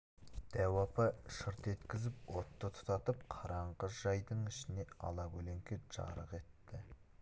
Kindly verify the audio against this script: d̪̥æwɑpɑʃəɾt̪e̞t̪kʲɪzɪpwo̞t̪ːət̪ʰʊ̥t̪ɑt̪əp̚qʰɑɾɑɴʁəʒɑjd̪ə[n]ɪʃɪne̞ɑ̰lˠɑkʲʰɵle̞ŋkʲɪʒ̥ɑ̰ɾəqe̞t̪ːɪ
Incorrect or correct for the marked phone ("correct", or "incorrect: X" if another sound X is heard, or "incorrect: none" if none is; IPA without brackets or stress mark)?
incorrect: ɴ